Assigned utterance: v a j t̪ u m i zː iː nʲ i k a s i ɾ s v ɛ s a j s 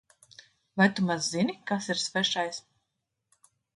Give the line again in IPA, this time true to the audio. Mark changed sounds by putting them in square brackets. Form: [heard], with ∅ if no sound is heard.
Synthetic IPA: v a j t̪ u m [a] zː [i] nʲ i k a s i ɾ s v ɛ [ʃ] a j s